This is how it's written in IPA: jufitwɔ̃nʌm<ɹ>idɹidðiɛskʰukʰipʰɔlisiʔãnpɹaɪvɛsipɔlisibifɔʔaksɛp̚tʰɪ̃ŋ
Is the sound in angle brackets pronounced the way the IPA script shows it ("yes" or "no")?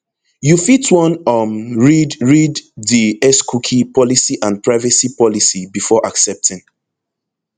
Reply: yes